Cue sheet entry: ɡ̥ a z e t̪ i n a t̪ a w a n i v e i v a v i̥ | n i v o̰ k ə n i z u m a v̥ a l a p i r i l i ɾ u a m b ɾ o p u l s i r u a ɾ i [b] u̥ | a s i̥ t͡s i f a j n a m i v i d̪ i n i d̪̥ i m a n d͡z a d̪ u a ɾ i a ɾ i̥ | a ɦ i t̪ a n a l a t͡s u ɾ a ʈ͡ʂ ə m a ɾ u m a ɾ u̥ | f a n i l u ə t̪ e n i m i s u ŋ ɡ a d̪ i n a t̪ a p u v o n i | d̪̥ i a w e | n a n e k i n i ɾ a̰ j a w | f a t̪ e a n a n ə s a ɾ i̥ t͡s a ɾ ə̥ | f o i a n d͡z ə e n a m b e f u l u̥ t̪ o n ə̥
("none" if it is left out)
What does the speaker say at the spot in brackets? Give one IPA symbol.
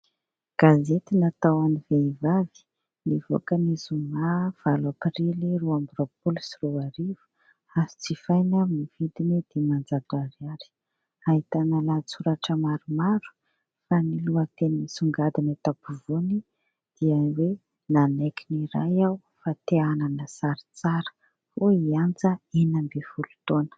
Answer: v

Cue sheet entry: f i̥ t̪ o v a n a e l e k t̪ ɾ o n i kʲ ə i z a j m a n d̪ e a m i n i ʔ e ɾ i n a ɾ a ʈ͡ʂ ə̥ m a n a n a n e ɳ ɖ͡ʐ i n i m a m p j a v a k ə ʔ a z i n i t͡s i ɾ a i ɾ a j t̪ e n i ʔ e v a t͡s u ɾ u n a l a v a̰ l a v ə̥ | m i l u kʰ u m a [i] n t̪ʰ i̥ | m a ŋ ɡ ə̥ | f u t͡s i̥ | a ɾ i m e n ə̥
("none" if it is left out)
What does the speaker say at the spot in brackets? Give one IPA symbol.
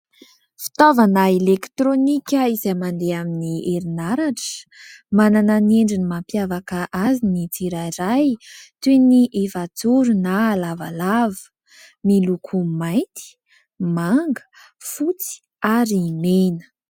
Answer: j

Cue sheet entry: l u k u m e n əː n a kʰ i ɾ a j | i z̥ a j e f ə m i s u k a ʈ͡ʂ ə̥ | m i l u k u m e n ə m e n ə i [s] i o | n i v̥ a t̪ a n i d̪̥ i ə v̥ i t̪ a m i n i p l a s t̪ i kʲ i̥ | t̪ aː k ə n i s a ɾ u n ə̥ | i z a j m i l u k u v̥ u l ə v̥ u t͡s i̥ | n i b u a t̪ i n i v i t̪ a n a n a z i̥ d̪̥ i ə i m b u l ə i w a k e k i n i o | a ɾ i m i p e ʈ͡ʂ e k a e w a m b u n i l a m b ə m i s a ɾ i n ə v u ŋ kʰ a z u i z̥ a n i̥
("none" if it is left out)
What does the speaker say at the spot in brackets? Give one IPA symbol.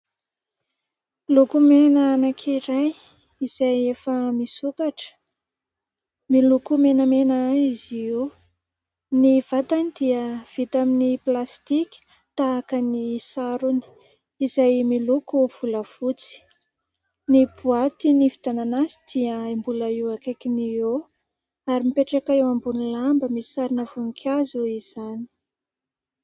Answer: z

